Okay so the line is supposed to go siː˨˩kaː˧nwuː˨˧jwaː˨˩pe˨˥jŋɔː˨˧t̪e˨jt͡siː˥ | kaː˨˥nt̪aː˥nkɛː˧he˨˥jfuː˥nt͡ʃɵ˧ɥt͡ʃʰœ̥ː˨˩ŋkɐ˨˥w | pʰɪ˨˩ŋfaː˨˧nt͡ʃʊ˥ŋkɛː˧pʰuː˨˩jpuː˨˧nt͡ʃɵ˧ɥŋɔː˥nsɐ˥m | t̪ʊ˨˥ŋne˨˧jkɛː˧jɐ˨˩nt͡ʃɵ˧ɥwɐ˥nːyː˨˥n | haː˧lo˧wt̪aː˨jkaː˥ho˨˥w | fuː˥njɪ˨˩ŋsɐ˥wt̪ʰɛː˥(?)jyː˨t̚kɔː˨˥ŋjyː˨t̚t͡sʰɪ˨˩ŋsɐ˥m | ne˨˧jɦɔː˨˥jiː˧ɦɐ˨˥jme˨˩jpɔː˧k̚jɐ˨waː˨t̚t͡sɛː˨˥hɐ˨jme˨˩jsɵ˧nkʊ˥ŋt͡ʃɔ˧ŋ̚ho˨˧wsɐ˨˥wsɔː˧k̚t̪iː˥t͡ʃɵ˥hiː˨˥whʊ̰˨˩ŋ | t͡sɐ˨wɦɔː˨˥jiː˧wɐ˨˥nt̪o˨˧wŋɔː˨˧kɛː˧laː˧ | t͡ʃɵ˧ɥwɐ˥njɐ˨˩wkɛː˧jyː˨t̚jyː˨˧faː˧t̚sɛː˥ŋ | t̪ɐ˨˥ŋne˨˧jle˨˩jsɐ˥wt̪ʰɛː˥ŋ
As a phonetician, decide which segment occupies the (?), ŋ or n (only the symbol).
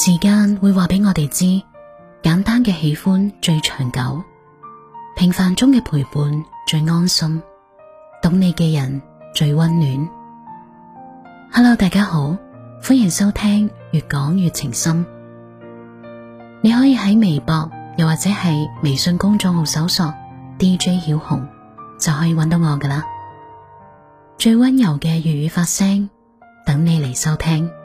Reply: ŋ